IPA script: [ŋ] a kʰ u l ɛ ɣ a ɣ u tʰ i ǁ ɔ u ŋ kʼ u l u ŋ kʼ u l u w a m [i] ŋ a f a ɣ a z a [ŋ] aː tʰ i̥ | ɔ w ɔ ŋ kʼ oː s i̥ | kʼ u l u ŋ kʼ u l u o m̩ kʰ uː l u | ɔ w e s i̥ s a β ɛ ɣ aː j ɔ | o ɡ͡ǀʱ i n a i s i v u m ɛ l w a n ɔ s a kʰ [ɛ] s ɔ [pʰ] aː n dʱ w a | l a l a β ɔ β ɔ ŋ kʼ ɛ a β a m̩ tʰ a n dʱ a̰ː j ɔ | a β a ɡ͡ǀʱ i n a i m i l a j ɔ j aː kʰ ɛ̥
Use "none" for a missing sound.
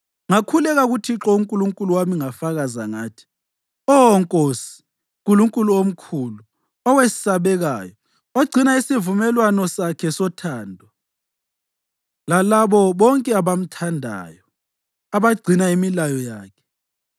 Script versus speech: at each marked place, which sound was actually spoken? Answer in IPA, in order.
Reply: ŋ, i, ŋ, ɛ, tʰ

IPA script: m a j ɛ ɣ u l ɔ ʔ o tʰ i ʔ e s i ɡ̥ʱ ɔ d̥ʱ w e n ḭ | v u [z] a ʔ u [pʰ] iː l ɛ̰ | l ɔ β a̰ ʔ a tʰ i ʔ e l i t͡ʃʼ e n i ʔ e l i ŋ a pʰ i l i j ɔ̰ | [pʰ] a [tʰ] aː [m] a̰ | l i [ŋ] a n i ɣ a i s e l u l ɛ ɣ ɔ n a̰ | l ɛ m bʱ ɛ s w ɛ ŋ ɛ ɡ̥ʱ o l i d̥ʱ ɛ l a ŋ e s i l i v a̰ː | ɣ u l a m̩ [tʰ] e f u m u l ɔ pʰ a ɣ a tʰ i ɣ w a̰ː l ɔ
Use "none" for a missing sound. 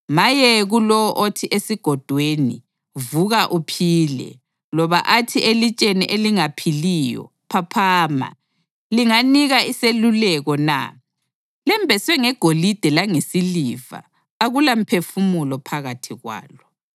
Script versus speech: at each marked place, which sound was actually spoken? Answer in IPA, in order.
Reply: ɣ, pʰ, pʰ, pʰ, m, ŋ, pʰ

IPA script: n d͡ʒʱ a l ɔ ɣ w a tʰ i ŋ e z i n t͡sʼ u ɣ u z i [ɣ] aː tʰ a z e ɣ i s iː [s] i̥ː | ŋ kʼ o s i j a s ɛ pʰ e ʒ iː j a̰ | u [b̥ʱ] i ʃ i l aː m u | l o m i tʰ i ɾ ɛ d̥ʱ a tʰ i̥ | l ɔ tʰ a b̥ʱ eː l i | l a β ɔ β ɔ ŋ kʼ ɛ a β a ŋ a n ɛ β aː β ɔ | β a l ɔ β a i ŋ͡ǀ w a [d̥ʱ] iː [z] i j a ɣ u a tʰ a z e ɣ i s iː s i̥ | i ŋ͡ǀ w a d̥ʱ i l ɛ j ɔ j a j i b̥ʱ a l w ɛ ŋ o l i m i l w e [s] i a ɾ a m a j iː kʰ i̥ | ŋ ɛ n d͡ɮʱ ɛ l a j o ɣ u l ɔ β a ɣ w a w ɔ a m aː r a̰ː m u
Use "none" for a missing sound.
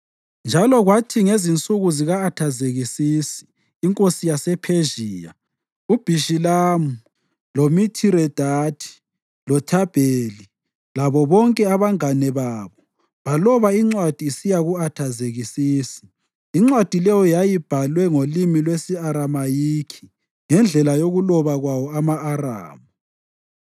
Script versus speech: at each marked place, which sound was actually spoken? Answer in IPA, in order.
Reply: ɣ, s, b̥ʱ, d̥ʱ, s, s

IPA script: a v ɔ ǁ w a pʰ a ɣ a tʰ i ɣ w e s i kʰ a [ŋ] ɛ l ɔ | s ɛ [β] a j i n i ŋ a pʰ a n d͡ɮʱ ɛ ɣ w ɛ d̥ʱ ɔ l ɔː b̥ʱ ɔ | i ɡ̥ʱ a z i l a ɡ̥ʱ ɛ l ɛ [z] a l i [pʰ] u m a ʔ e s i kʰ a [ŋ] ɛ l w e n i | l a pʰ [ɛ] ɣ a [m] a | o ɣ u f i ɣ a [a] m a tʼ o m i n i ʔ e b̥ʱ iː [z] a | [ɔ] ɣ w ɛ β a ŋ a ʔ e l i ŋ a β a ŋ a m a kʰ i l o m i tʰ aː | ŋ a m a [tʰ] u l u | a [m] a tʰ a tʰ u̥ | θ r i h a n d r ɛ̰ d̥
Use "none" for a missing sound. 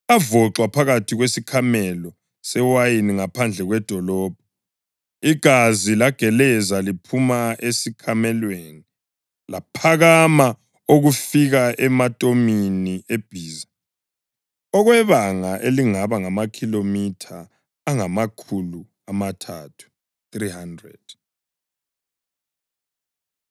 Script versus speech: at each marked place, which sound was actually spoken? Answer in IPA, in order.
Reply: m, w, z, pʰ, m, a, m, ɛ, z, ɔ, kʰ, m

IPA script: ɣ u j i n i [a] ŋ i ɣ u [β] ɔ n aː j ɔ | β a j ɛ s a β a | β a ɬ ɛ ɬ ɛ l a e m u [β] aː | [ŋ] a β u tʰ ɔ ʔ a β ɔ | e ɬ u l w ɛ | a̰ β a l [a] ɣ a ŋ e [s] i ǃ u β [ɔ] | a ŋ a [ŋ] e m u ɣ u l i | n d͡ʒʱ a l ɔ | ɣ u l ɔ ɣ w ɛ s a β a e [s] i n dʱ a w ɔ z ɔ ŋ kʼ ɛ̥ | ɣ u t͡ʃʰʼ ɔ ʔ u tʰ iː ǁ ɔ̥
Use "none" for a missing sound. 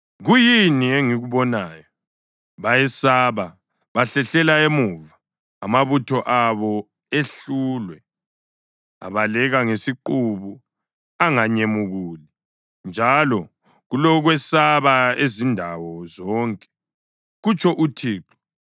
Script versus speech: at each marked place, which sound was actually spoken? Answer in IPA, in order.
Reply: e, β, v, m, ɛ, s, u, ɲ, z

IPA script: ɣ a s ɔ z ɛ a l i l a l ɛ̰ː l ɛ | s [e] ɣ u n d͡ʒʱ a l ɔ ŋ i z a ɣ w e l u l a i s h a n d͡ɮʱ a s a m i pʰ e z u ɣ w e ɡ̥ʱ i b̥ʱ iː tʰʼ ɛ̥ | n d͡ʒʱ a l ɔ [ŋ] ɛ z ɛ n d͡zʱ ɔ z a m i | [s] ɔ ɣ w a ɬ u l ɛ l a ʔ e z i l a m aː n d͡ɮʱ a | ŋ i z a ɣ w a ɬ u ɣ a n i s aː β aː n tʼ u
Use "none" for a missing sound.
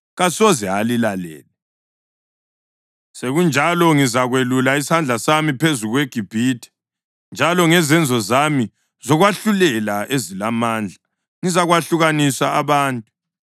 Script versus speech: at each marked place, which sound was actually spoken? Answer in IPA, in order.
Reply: e, ŋ, z

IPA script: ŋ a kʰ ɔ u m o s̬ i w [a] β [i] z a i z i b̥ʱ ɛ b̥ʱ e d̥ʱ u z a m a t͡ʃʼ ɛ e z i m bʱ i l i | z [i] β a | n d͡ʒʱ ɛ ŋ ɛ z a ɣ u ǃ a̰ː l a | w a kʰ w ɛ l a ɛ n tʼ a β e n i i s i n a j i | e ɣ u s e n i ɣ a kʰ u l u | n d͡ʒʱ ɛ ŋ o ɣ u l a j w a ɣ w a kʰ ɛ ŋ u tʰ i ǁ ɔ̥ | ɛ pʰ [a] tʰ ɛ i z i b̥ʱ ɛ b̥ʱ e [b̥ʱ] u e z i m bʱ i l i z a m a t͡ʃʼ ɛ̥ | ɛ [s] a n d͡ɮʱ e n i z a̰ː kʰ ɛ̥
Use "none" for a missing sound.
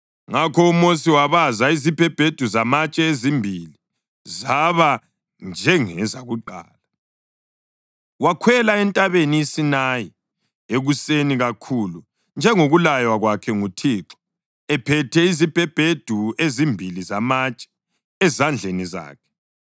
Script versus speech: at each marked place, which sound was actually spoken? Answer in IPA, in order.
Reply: a, a, a, ɛ, d̥ʱ, z

